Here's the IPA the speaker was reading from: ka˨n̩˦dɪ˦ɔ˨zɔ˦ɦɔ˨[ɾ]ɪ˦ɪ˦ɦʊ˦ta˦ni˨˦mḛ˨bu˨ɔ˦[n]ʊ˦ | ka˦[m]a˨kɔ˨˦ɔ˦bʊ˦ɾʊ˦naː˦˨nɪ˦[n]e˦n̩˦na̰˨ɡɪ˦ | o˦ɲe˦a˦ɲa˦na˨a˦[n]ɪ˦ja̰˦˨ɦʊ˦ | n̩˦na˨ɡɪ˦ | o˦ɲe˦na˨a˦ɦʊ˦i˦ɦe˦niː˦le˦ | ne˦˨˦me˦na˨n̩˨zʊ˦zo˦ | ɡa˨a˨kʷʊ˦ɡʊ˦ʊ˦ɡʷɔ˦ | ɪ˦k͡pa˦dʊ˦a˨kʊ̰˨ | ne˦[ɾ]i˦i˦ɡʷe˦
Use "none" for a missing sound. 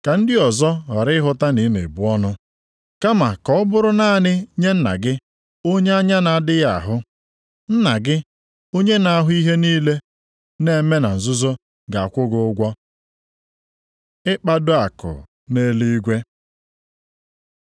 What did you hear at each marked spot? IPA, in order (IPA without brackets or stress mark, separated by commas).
ɾ, n, m, ɲ, d, l